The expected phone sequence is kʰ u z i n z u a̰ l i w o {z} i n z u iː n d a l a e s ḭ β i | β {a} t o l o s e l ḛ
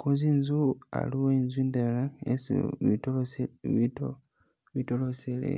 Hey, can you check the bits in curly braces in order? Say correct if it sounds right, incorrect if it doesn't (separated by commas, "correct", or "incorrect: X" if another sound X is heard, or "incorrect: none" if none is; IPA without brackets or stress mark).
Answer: incorrect: none, incorrect: i